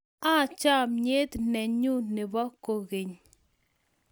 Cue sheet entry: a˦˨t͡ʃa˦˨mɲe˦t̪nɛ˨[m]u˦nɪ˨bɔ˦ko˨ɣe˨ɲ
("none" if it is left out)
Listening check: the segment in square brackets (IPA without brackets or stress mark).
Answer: ɲ